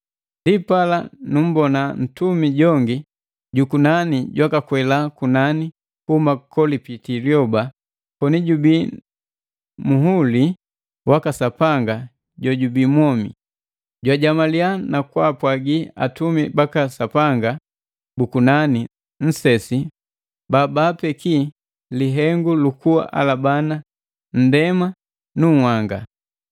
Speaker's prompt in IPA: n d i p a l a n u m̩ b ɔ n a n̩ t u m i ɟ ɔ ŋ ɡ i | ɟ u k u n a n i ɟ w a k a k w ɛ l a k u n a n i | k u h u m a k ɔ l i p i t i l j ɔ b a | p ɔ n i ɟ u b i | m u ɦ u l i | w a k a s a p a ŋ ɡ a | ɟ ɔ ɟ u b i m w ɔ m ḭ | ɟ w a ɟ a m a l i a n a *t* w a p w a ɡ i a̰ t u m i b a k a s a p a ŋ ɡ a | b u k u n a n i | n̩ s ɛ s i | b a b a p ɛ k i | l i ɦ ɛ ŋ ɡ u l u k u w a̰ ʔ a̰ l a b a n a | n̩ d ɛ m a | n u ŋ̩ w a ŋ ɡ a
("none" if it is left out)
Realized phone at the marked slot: k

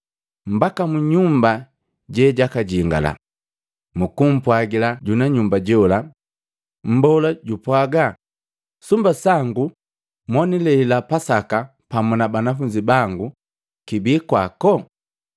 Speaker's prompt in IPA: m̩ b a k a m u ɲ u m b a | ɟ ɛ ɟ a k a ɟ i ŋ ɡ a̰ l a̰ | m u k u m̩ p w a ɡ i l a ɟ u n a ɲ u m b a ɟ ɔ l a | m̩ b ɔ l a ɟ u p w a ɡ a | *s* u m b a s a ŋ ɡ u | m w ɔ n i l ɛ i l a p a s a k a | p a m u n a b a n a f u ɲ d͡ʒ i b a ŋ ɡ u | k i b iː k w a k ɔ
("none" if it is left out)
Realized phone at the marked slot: s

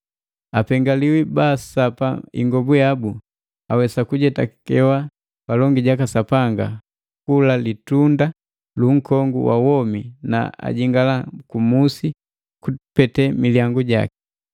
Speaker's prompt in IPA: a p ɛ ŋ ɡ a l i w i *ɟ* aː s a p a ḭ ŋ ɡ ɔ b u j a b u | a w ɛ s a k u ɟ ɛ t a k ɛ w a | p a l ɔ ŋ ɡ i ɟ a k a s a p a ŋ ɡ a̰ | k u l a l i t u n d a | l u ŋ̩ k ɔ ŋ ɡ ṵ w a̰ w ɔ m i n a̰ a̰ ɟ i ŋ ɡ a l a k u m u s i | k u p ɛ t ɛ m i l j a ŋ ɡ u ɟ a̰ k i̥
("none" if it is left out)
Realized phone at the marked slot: b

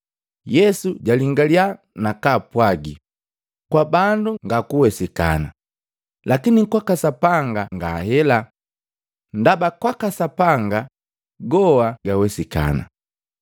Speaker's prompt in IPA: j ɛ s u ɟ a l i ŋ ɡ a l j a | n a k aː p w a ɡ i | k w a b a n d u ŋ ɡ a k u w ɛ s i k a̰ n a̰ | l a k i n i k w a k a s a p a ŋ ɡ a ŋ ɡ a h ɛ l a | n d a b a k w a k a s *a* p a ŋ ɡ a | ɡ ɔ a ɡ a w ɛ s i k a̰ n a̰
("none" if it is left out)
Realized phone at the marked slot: a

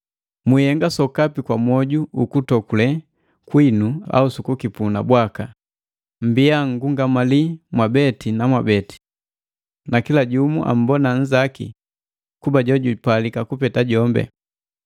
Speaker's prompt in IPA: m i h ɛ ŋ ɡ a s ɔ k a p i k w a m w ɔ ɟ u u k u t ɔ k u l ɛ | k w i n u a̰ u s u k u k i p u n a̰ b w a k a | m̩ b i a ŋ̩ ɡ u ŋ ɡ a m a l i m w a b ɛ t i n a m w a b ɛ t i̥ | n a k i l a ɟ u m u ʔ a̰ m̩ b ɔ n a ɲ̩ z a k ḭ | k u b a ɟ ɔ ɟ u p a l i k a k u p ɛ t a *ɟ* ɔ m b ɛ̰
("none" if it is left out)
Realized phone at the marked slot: ɟ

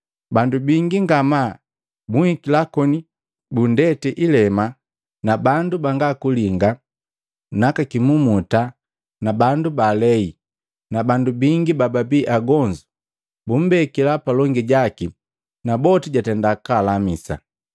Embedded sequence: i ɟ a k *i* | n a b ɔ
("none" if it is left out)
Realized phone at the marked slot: i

